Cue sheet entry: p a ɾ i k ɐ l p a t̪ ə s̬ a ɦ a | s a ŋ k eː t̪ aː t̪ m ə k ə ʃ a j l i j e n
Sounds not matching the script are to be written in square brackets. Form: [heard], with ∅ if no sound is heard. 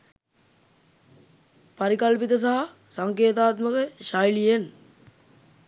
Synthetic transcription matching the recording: p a ɾ i k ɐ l p [i] t̪ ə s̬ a ɦ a | s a ŋ k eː t̪ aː t̪ m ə k ə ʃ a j l i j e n